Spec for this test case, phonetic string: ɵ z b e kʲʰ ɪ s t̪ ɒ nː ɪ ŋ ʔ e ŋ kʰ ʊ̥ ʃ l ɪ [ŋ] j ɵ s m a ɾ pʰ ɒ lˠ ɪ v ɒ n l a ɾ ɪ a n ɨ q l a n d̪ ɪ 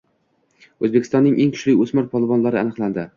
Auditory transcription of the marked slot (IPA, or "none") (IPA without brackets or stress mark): none